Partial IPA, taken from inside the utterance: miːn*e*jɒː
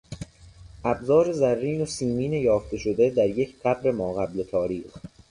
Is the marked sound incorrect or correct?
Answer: correct